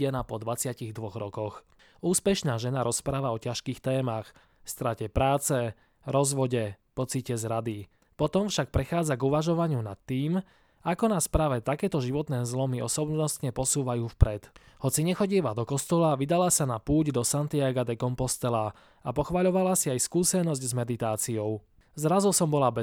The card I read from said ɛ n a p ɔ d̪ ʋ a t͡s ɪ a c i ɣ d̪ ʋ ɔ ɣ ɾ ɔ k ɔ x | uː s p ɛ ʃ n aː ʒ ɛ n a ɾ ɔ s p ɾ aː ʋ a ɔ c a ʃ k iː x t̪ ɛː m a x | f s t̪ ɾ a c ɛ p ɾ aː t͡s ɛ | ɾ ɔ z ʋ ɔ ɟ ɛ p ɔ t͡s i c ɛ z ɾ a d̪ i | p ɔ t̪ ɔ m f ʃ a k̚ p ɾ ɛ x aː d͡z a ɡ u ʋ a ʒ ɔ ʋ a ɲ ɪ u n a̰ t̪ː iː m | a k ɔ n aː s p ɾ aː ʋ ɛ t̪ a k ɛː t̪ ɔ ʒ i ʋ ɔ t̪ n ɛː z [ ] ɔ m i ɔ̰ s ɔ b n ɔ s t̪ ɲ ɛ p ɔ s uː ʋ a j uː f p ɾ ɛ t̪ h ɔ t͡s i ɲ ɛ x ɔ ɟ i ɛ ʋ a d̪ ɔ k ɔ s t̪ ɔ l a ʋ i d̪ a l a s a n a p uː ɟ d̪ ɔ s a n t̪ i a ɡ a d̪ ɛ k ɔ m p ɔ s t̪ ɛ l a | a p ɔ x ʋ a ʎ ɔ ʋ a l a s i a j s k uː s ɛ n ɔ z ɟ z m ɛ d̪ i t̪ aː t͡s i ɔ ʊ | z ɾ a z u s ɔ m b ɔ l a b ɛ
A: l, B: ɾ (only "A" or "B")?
A